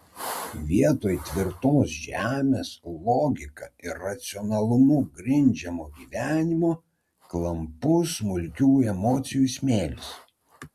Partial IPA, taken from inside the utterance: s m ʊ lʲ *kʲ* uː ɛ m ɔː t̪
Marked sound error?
no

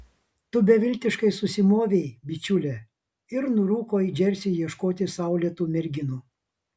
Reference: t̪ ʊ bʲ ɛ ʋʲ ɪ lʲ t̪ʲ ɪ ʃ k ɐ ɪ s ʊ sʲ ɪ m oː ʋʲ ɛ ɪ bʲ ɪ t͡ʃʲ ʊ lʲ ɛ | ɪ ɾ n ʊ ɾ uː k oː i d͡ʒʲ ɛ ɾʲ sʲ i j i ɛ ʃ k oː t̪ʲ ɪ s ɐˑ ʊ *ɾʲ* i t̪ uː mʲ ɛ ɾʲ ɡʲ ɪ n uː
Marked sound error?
yes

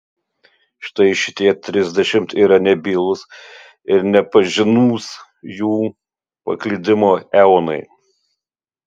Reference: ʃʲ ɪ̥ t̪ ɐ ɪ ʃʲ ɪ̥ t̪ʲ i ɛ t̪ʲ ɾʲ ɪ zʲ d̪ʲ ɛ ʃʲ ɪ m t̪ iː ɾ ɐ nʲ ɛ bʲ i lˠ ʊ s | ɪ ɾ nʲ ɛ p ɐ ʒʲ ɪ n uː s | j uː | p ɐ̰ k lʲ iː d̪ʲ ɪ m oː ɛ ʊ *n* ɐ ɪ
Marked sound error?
no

